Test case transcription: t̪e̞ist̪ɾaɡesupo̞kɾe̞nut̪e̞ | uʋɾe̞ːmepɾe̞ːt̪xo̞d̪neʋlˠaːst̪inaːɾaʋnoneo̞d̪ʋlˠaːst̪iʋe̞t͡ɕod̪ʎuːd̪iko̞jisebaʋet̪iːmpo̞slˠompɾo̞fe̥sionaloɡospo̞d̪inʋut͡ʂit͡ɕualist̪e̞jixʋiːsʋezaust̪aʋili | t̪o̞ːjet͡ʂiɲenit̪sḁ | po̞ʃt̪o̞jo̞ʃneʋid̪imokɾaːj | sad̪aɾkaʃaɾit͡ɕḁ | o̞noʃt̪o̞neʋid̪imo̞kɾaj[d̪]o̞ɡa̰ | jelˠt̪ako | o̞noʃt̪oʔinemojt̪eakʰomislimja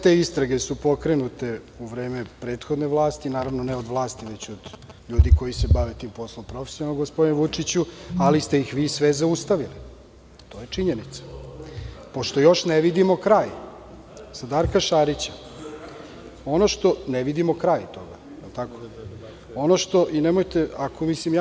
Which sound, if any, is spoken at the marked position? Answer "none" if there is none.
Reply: t̪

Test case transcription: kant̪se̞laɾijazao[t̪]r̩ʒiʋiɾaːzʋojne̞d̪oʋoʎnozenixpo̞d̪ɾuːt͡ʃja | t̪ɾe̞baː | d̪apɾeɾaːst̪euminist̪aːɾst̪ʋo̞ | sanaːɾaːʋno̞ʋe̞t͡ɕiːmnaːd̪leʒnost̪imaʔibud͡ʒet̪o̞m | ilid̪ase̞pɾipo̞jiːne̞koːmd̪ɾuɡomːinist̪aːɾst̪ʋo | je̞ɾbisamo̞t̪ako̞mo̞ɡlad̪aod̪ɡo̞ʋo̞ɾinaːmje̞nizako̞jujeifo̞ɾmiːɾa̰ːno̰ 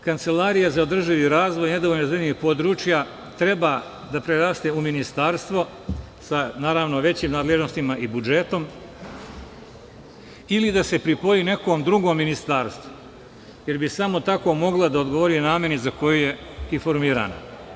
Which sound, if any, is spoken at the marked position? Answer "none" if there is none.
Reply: d̪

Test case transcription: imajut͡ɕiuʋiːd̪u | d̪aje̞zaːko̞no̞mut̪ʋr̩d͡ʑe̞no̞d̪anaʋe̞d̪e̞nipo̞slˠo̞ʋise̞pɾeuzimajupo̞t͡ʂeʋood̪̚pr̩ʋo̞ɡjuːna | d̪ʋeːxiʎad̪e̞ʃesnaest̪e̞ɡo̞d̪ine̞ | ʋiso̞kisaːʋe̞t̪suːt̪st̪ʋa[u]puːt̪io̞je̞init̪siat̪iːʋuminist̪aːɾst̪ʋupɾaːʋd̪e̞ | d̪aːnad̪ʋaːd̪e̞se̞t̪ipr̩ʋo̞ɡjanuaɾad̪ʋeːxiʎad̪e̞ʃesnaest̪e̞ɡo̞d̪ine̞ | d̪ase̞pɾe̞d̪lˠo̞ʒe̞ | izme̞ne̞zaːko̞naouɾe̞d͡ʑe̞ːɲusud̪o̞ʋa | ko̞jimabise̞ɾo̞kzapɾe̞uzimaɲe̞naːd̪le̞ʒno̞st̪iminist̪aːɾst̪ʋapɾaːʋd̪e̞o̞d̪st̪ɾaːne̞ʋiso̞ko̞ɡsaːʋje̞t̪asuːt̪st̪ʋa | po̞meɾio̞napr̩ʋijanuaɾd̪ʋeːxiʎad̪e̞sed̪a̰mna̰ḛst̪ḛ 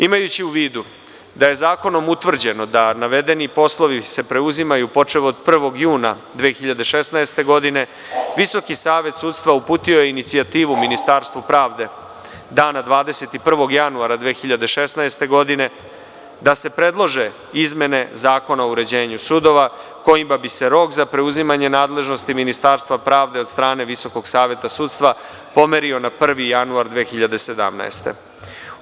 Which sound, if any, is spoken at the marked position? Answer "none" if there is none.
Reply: u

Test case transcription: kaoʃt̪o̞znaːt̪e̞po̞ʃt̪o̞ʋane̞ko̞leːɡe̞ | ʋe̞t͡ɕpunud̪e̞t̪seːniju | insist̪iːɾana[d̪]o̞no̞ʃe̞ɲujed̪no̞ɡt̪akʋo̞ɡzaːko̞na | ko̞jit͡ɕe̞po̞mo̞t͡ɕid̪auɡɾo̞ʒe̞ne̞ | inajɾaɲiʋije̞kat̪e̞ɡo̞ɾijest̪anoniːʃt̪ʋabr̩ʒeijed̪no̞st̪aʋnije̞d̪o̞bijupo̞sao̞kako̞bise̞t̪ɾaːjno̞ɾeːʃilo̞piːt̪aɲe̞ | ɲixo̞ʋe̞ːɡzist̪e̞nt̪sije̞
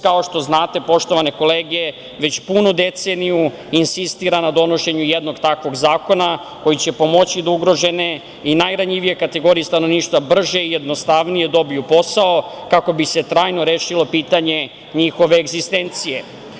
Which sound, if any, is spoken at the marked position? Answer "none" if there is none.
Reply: d̪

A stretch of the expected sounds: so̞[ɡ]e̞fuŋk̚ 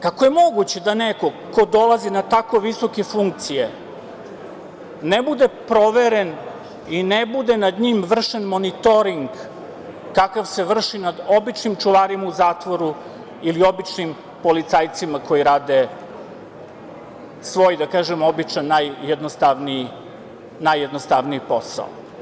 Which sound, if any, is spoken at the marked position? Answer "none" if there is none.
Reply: k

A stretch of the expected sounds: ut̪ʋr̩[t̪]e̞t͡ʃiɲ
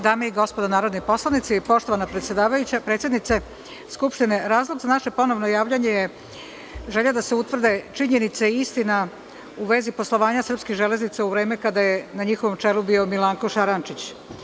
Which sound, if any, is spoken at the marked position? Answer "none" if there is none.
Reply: d̪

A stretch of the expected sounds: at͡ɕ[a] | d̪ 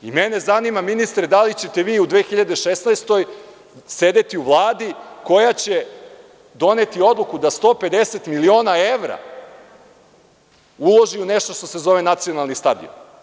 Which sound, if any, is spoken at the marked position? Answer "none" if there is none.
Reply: e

